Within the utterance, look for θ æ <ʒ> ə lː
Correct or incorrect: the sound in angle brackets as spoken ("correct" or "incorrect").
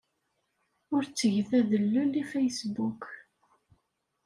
incorrect